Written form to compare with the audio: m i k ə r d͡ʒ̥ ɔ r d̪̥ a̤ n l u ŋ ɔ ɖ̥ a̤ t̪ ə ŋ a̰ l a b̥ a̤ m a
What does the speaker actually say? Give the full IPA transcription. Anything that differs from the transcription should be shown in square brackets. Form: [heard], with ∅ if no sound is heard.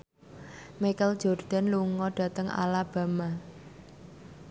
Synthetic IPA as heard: m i k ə [l] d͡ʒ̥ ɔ r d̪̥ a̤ n l u ŋ ɔ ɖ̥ a̤ t̪ ə ŋ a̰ l a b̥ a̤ m a